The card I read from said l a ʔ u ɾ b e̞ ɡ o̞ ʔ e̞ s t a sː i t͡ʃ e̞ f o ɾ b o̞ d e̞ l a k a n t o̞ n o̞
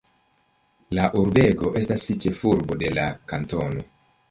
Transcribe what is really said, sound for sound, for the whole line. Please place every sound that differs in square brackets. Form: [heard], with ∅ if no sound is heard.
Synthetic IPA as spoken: l a ʔ u ɾ b e̞ ɡ o̞ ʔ e̞ s t a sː i t͡ʃ e̞ f [u] ɾ b o̞ d e̞ l a k a n t o̞ n o̞